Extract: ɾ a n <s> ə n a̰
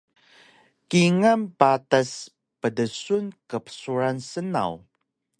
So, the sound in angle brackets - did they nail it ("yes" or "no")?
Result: yes